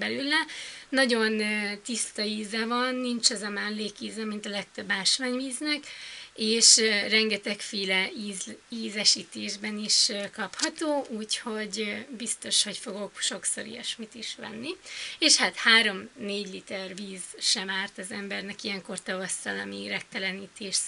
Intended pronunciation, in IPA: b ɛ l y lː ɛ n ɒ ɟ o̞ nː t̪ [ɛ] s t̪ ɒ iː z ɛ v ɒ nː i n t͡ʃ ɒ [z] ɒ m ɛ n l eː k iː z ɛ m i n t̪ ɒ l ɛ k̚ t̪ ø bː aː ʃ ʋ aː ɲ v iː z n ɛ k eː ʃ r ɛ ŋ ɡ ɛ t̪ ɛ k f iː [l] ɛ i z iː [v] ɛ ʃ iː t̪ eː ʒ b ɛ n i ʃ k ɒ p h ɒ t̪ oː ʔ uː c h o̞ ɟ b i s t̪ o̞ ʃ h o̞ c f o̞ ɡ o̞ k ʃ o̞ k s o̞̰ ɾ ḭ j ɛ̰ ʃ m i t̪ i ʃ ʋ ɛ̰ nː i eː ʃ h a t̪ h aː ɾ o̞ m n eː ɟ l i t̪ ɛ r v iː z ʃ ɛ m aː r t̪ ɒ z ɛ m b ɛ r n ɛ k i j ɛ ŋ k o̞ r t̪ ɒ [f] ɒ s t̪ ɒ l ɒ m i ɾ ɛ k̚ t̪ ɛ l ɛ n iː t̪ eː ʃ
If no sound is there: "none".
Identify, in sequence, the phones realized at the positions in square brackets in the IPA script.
i, z, l, z, v

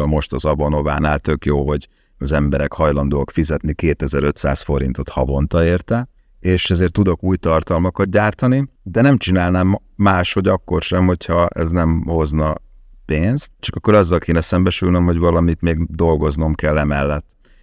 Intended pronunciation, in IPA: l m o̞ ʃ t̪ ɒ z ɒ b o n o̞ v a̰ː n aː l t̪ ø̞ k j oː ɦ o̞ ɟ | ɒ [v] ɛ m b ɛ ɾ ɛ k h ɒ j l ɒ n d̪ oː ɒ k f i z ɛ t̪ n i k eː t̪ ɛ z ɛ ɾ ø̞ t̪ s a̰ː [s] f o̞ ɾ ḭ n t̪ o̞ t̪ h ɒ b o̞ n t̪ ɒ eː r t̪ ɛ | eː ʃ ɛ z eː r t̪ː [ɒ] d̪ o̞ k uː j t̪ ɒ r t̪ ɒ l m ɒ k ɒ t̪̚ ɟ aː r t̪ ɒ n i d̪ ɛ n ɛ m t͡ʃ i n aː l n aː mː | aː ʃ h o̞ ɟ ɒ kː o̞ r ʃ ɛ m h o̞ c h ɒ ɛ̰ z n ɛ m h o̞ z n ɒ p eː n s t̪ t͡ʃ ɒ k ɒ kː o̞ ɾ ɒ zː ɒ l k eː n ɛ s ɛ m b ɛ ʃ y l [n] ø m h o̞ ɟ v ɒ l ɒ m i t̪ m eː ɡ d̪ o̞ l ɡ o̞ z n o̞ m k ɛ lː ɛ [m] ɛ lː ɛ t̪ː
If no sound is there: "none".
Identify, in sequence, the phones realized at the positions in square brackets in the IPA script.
z, s, u, n, m

